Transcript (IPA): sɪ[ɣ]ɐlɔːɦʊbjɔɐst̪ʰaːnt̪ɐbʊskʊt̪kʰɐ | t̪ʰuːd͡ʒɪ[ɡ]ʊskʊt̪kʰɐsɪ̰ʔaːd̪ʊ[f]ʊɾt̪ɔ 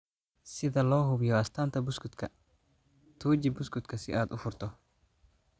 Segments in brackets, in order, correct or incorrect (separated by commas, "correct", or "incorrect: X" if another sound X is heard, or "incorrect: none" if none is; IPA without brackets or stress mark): incorrect: ð, incorrect: b, correct